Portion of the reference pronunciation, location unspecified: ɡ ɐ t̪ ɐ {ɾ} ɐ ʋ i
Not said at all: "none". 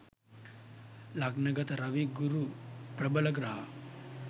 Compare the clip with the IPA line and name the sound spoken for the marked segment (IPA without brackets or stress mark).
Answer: ɾ